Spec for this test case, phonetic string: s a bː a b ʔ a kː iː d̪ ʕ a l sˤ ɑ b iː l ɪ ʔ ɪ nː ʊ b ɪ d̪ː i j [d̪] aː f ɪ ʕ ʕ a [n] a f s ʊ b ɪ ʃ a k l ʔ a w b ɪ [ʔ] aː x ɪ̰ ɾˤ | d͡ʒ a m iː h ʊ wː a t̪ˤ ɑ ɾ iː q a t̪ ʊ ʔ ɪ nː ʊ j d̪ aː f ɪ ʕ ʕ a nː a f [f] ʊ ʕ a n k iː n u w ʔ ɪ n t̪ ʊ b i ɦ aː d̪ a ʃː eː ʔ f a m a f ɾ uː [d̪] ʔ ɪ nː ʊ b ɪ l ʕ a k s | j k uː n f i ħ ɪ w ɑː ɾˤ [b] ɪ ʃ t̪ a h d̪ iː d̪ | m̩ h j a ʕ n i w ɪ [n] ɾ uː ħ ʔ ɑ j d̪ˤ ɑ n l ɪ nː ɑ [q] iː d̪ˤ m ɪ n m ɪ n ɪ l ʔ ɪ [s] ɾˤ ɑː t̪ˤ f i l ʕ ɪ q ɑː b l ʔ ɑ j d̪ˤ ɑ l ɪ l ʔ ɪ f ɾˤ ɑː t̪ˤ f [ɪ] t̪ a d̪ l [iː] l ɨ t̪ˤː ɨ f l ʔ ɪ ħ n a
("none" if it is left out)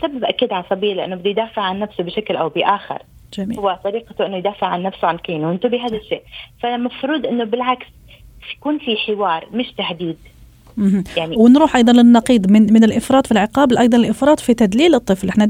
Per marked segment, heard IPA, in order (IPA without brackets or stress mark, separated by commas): d̪, nː, ʔ, s, d̪, m, n, q, f, i, iː